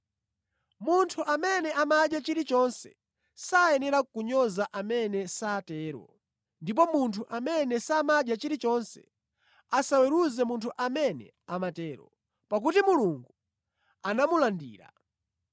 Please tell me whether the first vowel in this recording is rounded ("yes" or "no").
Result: yes